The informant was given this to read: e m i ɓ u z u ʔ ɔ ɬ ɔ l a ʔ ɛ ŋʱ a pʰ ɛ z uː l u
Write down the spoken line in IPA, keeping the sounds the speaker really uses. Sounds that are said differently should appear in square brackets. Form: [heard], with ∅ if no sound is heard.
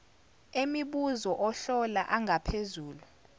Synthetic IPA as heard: e m i ɓ u z [ɔ] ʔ ɔ ɬ ɔ l a ʔ [a] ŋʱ a pʰ [e] z uː l u